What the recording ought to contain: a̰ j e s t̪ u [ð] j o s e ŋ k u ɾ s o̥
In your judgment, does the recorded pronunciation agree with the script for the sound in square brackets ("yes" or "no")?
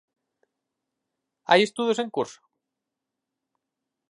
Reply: yes